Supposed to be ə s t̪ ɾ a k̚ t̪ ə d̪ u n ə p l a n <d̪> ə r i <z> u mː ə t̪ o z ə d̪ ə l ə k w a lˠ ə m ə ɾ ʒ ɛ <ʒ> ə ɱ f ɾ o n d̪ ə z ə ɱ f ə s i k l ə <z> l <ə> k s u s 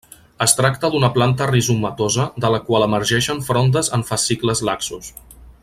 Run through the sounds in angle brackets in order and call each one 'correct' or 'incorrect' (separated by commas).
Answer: incorrect, correct, incorrect, correct, incorrect